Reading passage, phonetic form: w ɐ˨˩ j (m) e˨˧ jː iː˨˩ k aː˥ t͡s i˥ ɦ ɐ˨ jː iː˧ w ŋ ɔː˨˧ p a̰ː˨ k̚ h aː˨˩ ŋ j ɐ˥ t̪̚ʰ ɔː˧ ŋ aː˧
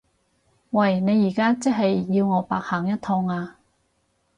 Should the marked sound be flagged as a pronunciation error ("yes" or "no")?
yes